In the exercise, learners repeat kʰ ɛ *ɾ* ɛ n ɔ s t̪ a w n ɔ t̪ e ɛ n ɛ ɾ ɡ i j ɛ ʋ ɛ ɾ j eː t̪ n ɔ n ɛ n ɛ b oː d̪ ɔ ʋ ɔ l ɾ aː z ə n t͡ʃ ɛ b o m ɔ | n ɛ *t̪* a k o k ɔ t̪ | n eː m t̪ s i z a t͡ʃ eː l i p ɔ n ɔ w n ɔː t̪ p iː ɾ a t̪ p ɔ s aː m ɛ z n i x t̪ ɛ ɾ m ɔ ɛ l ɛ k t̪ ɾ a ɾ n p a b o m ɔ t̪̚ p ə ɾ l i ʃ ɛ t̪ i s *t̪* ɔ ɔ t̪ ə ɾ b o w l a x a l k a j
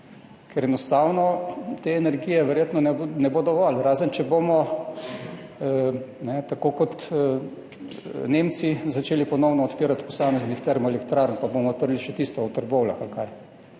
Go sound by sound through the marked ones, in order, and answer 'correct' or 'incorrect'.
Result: correct, correct, correct

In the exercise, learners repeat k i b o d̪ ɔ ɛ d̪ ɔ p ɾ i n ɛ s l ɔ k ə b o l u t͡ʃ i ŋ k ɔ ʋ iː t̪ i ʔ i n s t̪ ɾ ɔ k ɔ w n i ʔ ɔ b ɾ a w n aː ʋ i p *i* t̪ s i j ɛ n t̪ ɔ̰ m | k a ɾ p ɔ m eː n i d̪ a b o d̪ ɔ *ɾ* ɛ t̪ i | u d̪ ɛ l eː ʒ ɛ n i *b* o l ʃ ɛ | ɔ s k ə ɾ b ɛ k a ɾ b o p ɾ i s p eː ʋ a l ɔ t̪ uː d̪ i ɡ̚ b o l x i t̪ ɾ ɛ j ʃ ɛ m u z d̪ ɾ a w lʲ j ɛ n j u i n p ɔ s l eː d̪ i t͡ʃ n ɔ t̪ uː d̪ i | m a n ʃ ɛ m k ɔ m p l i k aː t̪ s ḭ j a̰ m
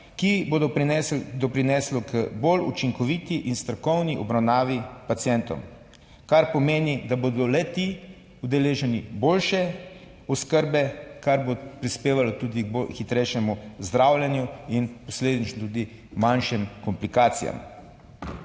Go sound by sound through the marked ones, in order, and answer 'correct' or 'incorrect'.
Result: incorrect: a, incorrect: l, correct

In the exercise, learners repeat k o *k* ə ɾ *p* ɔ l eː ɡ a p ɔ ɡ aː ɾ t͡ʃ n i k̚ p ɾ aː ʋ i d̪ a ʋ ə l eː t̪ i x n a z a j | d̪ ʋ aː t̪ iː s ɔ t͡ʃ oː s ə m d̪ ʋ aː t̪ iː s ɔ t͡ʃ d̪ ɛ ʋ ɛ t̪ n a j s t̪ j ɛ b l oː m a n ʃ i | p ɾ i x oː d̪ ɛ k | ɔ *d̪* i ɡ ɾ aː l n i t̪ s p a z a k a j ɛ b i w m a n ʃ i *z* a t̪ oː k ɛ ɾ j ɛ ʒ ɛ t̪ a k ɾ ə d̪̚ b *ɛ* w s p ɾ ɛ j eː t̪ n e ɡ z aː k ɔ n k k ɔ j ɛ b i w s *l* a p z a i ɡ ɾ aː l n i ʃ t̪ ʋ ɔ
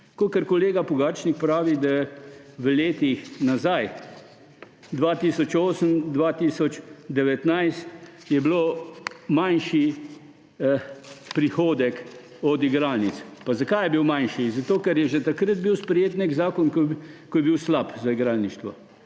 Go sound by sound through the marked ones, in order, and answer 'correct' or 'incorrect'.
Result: correct, incorrect: k, correct, correct, incorrect: i, correct

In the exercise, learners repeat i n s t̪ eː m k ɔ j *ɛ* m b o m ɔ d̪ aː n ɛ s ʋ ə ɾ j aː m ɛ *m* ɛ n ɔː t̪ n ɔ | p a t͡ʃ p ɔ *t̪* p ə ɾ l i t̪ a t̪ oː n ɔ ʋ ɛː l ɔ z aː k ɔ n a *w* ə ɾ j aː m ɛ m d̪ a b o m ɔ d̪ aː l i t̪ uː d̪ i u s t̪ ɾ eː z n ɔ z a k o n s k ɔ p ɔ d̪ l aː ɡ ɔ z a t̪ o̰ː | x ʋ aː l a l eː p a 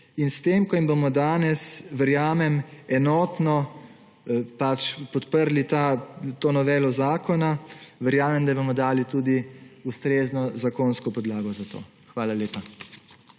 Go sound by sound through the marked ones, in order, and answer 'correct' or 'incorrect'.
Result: incorrect: i, correct, correct, incorrect: ʋ

